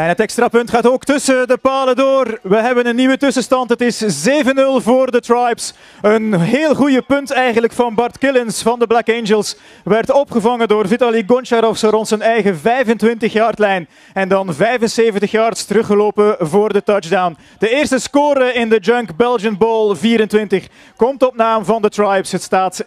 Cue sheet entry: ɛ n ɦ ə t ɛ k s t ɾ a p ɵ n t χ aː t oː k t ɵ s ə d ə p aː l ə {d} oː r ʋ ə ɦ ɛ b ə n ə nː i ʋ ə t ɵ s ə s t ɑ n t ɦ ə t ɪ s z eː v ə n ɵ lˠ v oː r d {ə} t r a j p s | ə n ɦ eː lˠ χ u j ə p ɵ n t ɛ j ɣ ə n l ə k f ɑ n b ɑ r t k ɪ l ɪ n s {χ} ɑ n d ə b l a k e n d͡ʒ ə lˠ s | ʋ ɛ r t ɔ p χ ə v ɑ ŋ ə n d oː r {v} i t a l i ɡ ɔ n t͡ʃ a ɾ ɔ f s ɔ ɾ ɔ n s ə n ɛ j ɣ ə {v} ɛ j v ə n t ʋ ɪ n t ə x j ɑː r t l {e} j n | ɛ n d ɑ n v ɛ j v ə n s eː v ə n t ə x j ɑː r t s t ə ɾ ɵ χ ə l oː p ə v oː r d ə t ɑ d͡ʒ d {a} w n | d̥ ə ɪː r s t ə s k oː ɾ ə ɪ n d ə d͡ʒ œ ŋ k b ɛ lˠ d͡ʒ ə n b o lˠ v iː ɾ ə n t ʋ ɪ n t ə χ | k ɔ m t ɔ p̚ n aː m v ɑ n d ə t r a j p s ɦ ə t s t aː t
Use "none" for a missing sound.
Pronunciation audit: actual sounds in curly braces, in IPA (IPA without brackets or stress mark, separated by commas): d, ə, f, v, v, ɛ, a